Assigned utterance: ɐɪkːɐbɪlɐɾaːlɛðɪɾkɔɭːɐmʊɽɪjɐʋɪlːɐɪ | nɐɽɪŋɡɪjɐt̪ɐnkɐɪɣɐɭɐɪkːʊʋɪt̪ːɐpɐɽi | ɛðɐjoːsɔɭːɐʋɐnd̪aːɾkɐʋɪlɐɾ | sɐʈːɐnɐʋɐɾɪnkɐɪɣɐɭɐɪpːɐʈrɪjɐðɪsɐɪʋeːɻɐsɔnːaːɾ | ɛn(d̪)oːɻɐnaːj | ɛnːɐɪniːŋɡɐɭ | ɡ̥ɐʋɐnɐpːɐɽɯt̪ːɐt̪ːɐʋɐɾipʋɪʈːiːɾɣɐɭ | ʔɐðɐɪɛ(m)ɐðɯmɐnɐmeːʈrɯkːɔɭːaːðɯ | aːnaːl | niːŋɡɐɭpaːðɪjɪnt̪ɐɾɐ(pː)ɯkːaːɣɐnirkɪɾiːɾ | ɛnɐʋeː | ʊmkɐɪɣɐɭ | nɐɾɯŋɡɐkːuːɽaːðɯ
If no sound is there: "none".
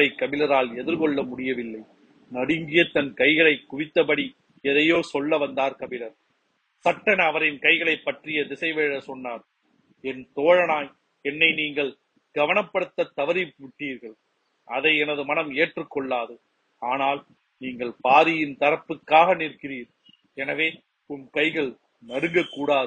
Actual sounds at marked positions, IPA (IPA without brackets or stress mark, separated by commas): t̪, n, pː